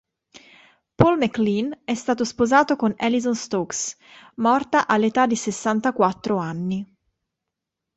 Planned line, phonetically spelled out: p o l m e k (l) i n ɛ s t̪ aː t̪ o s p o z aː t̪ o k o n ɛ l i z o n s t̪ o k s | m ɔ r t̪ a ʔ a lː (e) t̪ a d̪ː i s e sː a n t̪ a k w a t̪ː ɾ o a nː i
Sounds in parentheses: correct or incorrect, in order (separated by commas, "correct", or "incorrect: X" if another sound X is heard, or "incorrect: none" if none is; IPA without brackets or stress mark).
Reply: correct, correct